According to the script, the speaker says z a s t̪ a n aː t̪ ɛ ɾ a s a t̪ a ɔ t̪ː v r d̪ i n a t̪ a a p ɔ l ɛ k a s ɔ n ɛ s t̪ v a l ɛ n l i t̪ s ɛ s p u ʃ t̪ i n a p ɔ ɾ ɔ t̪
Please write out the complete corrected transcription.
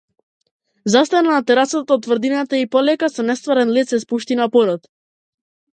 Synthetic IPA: z a s t̪ a n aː t̪ ɛ ɾ a s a t̪ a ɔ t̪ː v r d̪ i n a t̪ a i p ɔ l ɛ k a s ɔ n ɛ s t̪ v a ɾ ɛ n l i t̪ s ɛ s p u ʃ t̪ i n a p ɔ ɾ ɔ t̪